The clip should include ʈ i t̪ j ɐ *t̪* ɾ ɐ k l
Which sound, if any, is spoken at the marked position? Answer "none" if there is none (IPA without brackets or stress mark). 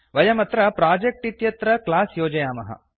t̪